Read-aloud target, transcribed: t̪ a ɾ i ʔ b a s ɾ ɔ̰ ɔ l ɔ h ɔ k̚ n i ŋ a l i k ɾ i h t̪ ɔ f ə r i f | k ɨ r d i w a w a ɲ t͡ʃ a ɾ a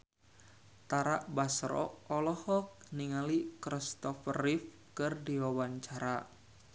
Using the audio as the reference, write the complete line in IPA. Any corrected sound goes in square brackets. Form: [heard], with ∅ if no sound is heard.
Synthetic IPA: t̪ a ɾ [a] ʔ b a s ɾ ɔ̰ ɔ l ɔ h ɔ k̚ n i ŋ a l i k ɾ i [s] t̪ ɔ f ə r i f | k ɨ r d i w a w a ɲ t͡ʃ a ɾ a